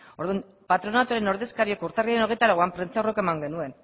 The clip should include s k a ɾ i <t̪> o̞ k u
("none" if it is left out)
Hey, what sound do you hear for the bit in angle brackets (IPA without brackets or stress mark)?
none